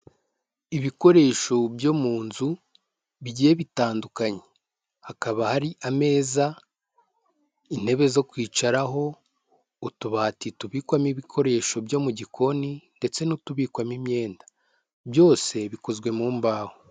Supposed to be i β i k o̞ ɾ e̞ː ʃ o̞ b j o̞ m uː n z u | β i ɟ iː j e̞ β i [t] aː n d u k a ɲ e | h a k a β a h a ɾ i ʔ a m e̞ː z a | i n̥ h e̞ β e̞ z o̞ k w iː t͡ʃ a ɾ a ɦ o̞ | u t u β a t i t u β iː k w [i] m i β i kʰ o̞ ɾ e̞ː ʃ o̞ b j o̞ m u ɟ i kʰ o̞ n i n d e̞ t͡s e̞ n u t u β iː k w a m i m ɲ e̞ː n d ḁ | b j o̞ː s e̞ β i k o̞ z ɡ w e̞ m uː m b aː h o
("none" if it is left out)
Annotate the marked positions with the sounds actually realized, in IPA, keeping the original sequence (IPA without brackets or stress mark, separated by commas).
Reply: t, a